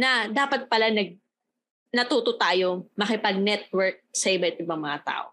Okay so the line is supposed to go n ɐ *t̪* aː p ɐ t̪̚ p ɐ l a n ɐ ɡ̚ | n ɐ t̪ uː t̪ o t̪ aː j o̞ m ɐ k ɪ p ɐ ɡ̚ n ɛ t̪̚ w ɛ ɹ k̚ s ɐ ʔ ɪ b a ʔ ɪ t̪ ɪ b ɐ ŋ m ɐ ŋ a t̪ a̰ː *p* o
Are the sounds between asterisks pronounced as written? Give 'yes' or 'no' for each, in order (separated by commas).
no, no